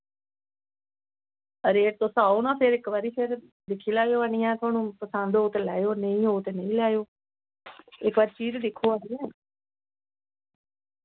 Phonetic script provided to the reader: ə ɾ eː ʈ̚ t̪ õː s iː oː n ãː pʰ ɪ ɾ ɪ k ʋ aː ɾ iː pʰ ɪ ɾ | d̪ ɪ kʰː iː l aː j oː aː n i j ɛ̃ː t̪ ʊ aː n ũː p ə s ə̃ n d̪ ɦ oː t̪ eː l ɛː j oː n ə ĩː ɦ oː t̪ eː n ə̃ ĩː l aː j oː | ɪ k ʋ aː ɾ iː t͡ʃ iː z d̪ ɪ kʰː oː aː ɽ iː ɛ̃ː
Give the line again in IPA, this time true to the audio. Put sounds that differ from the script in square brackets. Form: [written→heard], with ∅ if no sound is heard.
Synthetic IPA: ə ɾ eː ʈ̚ t̪ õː s [iː→aː] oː n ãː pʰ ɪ ɾ ɪ k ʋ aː ɾ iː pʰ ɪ ɾ | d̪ ɪ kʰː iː l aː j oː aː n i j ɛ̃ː t̪ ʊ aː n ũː p ə s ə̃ n d̪ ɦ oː t̪ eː l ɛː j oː n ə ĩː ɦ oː t̪ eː n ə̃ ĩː l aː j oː | ɪ k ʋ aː ɾ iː t͡ʃ iː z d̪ ɪ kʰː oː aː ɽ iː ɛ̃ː